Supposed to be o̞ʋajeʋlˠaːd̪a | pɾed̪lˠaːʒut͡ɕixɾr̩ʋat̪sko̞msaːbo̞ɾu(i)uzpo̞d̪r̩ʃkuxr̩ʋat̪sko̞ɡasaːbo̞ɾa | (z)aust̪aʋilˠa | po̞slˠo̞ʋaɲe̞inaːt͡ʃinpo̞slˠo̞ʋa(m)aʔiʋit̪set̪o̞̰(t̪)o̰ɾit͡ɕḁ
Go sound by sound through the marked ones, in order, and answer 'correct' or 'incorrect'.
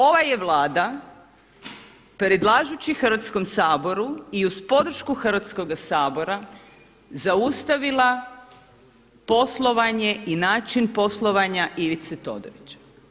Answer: correct, correct, incorrect: ɲ, incorrect: d̪

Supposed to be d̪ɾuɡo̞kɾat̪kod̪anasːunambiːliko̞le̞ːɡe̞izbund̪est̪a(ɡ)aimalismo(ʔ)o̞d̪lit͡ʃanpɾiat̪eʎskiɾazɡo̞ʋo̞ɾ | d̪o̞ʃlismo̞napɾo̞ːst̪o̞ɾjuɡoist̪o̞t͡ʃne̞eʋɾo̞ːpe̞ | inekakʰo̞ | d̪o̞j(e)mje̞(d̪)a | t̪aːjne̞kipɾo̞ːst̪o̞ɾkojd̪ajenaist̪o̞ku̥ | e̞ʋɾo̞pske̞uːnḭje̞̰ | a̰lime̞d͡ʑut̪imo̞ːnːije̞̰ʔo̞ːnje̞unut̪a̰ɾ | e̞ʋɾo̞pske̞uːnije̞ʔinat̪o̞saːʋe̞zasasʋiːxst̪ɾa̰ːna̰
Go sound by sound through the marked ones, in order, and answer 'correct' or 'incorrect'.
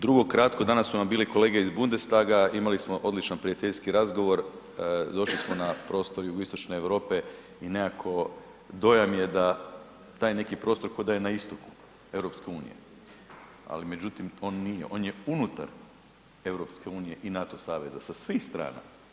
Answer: correct, correct, incorrect: a, correct

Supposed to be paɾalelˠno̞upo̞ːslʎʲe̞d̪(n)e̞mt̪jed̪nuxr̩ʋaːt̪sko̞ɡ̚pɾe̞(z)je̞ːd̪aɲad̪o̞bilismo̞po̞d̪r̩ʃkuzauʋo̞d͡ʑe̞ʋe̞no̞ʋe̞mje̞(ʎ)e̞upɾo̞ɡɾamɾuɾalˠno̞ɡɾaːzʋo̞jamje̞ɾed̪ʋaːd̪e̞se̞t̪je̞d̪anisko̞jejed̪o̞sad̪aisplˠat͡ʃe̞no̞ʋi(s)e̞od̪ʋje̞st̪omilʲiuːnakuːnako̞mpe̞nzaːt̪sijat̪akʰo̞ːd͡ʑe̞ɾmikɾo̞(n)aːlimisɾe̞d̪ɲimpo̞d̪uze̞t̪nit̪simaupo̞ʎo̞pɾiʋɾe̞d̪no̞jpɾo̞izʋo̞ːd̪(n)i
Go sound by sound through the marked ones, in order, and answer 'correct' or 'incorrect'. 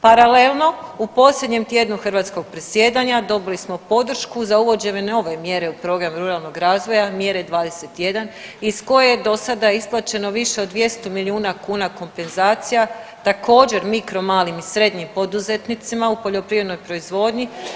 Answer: incorrect: ɲ, incorrect: s, incorrect: ɾ, incorrect: ʃ, incorrect: m, incorrect: ɲ

